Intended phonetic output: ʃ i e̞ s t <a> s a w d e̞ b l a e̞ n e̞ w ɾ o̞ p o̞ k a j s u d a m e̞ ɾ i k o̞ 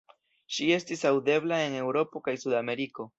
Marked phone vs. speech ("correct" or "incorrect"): incorrect